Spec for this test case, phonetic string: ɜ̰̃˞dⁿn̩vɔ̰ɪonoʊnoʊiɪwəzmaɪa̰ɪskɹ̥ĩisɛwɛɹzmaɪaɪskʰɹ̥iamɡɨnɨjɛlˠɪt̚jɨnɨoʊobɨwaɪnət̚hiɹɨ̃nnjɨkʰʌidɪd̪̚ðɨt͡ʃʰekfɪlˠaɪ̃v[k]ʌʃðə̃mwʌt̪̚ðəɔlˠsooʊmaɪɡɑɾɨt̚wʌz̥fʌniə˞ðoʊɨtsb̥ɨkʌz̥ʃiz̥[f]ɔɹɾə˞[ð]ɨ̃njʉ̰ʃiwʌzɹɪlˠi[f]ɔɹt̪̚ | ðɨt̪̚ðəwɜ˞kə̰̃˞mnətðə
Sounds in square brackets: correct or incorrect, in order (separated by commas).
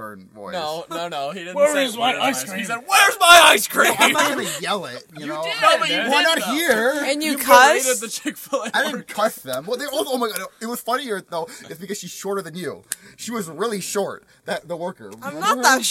incorrect, incorrect, correct, incorrect